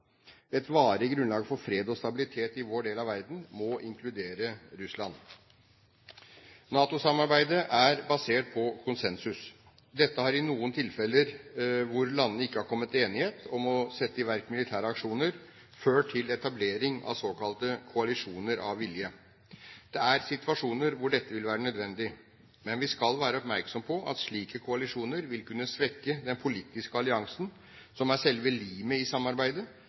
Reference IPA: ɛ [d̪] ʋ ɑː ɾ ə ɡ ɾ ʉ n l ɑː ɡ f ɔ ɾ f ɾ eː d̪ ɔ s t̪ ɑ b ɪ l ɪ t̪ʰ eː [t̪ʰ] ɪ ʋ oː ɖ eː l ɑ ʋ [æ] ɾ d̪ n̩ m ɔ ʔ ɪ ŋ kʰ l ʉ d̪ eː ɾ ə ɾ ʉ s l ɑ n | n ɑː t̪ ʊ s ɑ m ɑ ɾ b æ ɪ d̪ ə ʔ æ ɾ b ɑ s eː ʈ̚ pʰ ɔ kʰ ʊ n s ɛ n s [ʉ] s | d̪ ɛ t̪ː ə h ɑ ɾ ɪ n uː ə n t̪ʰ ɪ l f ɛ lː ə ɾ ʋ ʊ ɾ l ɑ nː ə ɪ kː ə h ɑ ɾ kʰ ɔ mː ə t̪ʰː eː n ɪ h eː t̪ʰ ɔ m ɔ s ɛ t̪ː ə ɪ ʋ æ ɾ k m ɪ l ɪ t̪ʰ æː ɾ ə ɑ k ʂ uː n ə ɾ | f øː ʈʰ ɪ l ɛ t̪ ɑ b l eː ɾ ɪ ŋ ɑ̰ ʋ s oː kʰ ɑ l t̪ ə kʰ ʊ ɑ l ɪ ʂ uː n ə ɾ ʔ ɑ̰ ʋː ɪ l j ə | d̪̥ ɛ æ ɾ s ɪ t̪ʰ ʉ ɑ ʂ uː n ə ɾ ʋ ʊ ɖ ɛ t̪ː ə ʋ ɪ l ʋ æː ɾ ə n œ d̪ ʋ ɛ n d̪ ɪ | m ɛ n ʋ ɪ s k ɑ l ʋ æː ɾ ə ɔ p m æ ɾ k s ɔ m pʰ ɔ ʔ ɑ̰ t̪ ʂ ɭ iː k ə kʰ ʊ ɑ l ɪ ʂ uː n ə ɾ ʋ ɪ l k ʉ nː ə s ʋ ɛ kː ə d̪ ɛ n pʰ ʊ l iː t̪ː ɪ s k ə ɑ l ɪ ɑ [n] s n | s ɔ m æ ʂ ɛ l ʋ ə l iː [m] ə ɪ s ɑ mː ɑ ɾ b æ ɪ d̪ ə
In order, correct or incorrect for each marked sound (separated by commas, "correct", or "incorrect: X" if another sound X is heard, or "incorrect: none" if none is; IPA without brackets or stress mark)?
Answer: incorrect: t̪, incorrect: t̪, correct, correct, incorrect: ŋ, correct